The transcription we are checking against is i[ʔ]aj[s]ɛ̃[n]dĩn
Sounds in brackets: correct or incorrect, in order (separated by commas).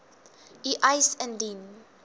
correct, correct, correct